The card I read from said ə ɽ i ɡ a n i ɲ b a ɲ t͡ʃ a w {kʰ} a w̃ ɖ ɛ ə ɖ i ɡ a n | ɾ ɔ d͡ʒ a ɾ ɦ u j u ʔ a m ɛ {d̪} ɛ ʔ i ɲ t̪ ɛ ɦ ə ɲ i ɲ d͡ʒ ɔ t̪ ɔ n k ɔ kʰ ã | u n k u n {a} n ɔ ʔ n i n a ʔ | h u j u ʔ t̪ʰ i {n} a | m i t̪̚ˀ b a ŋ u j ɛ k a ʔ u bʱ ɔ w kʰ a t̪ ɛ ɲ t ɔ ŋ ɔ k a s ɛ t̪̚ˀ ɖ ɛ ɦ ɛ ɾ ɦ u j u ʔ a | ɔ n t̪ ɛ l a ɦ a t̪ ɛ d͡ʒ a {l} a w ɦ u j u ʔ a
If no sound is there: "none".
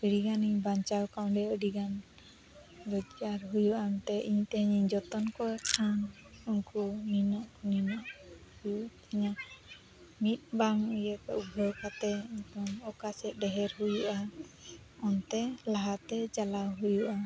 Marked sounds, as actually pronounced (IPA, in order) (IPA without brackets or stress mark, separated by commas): k, t̪, i, ɲ, l